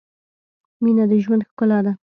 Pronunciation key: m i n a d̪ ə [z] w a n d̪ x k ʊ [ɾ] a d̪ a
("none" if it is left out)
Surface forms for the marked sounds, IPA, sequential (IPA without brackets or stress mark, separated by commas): ʒ, l